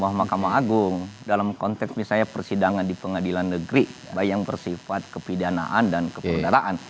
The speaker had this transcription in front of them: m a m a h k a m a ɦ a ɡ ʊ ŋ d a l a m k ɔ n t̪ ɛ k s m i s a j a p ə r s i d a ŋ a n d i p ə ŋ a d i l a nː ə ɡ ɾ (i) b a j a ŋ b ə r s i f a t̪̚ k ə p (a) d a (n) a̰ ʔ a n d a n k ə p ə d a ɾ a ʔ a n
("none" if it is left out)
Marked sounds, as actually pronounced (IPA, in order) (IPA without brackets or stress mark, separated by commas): i, i, n